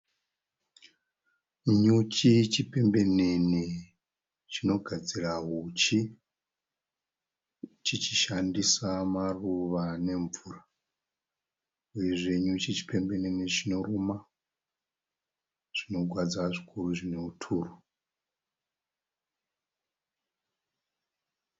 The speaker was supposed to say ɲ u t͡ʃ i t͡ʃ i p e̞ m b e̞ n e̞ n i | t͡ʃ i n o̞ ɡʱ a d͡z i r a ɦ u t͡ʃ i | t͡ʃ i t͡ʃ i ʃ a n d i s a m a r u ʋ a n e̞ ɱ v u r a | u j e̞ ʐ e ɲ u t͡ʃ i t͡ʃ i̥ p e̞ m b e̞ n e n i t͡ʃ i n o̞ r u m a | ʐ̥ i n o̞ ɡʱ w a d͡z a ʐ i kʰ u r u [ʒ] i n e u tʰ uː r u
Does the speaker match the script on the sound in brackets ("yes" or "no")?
no